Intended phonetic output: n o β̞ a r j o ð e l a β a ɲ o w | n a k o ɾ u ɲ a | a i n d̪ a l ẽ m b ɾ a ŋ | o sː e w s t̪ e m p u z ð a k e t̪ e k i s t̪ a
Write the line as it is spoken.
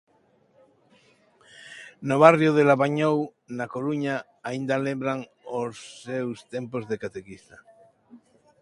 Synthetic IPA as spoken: n o β̞ a r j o ð e l a β a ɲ o w | n a k o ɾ u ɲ a | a i n d̪ a l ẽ m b ɾ a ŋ | o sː e w s t̪ e m p o z ð e k a t̪ e k i s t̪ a